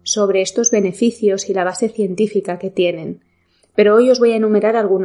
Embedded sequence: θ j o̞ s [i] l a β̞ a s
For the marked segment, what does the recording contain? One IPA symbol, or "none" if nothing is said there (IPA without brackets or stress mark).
i